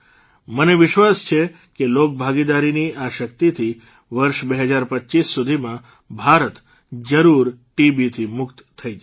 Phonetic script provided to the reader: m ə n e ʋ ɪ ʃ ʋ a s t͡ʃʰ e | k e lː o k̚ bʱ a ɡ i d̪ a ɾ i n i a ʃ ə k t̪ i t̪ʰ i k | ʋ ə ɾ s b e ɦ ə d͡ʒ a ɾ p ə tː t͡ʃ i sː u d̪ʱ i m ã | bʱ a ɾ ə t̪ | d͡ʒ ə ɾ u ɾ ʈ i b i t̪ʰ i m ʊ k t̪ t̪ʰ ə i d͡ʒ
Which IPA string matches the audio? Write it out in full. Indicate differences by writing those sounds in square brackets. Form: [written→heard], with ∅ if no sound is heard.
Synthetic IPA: m ə n e ʋ ɪ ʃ ʋ a s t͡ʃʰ e | k e [lː→l] o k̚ bʱ a ɡ i d̪ a ɾ i n i a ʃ ə k t̪ i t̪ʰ i [k→∅] | ʋ ə ɾ [s→ʃ] b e ɦ ə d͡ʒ a ɾ p ə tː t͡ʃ i sː u d̪ʱ i m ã | bʱ a ɾ ə t̪ | d͡ʒ ə ɾ u ɾ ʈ i b i t̪ʰ i m ʊ k t̪ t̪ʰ ə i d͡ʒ